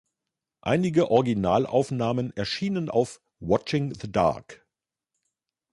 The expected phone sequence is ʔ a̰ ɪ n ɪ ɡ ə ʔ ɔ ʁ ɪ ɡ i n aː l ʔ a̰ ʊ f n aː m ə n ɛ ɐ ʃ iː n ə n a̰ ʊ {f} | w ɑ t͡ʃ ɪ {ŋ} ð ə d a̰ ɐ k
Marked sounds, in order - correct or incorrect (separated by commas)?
correct, correct